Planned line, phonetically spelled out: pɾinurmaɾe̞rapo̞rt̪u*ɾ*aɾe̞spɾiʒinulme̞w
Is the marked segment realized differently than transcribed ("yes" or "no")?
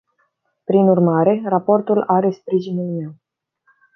yes